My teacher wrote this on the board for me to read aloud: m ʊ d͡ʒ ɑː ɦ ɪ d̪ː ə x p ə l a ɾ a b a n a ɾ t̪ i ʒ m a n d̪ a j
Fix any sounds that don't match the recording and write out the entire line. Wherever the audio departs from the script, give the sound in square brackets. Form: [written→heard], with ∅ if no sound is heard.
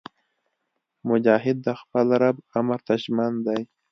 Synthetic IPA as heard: m ʊ d͡ʒ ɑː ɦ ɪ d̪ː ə x p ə l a ɾ a b a [n→m] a ɾ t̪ [i→a] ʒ m a n d̪ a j

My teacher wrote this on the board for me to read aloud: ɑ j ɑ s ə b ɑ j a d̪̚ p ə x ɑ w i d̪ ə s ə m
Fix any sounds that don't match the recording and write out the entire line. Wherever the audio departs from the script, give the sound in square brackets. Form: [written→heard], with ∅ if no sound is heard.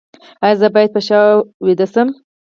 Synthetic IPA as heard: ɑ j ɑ [s→z] ə b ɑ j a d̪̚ p ə [x→ʃ] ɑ w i d̪ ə s ə m

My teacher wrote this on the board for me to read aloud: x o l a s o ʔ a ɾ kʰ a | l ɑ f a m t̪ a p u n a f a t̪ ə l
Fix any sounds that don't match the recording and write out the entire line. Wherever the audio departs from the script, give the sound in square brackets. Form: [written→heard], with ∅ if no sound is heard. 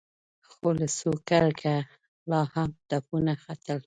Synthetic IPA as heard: x o l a s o [ʔ→k] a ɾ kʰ a | l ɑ [f→h] a m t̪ a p u n a [f→x] a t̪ ə l

